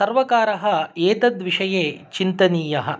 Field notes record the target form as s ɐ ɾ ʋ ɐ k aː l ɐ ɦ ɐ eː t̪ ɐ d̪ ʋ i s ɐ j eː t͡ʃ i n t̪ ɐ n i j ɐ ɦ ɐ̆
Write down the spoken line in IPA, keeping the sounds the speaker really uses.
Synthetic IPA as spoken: s ɐ ɾ ʋ ɐ k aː ɾ ɐ ɦ ɐ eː t̪ ɐ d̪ ʋ i ʂ ɐ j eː t͡ʃ i n t̪ ɐ n iː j ɐ ɦ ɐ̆